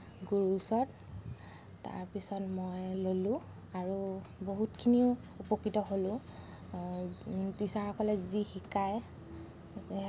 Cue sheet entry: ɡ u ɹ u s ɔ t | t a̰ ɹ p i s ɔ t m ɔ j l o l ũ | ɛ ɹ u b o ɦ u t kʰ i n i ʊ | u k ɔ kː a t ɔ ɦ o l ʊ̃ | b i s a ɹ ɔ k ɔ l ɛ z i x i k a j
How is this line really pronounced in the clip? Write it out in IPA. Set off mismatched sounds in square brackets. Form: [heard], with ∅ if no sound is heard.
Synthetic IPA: ɡ u ɹ u s ɔ t | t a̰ ɹ p i s ɔ t m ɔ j l o l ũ | [a] ɹ u b o ɦ u t kʰ i n i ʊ | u [p] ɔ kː [i] t ɔ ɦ o l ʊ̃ | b i s a ɹ ɔ k ɔ l ɛ z i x i k a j